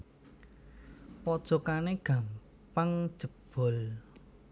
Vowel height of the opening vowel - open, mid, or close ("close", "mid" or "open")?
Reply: mid